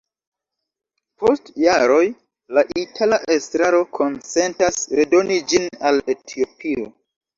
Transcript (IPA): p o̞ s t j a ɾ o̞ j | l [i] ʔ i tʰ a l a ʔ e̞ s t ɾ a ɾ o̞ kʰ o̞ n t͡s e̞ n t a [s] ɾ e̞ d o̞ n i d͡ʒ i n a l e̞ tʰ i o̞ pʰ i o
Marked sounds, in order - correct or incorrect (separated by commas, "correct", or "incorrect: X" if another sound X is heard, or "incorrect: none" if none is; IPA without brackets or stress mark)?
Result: incorrect: a, correct